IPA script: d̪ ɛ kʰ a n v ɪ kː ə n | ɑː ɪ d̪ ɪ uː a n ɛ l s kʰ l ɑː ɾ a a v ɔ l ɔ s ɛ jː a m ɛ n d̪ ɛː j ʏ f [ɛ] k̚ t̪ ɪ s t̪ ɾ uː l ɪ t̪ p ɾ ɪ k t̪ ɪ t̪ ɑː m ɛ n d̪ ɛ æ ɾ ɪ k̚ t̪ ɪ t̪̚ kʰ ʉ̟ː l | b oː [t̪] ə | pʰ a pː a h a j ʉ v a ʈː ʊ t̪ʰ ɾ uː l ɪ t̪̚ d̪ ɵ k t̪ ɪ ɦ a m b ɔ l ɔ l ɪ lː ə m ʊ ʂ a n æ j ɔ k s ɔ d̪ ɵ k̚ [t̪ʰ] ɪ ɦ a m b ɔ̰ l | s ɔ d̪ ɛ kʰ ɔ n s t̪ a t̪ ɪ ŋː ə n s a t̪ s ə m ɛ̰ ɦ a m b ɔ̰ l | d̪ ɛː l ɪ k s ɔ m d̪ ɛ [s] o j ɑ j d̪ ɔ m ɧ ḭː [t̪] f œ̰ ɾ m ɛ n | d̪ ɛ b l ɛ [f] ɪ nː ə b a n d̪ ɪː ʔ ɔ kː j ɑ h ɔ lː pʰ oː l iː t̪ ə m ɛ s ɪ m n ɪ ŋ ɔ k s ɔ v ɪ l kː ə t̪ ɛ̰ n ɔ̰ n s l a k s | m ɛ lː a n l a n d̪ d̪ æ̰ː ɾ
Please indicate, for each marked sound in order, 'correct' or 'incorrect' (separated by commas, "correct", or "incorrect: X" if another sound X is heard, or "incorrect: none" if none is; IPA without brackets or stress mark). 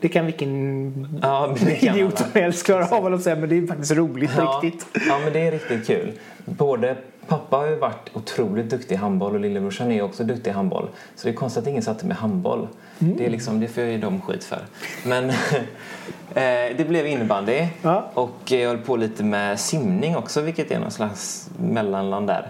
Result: incorrect: a, incorrect: d̪, incorrect: t̪, incorrect: f, correct, incorrect: v